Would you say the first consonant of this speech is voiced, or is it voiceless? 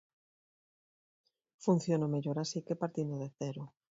voiceless